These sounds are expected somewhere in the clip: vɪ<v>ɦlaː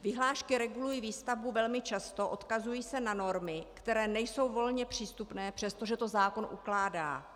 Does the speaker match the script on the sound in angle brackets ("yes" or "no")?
no